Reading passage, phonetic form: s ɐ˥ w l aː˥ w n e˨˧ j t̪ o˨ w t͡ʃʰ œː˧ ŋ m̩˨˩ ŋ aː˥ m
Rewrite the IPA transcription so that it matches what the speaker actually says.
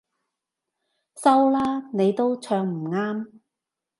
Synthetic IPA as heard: s ɐ˥ w l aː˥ n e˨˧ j t̪ o˥ w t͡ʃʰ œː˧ ŋ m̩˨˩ ŋ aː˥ m